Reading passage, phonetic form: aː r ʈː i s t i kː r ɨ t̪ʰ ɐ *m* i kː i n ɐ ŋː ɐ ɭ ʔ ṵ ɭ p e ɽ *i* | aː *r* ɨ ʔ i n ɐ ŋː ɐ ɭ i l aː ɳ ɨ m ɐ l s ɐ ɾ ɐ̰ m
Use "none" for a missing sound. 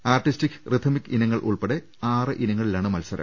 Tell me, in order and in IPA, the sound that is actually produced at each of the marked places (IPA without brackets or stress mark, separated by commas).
m, e, r